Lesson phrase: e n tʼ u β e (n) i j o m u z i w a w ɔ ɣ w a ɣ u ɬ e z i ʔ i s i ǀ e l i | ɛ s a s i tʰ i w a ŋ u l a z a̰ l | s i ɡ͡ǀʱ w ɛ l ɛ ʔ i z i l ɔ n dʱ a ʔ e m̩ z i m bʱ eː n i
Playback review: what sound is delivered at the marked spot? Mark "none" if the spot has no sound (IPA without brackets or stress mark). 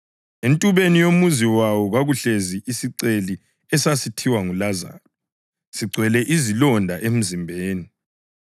n